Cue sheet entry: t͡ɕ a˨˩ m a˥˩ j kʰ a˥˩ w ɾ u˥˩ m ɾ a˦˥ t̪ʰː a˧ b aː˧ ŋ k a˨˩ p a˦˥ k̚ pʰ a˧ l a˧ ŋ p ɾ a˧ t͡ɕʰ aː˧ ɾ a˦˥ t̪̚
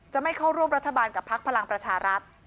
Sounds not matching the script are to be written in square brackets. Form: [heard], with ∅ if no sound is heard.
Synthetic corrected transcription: t͡ɕ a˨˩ m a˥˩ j kʰ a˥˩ w ɾ u˥˩ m ɾ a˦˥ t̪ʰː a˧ b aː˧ [n] k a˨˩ [pʰ] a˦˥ k̚ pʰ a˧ l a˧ ŋ p ɾ a˧ t͡ɕʰ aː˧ ɾ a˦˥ t̪̚